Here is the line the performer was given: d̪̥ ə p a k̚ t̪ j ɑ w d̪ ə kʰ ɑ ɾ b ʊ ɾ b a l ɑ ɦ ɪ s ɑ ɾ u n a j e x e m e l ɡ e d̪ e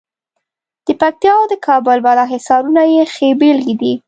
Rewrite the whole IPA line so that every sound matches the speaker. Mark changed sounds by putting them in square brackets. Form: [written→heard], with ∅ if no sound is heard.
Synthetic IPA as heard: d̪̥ ə p a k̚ t̪ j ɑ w d̪ ə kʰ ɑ [ɾ→∅] b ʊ [ɾ→l] b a l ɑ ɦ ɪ s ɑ ɾ u n a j e x e [m→b] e l ɡ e d̪ [e→i]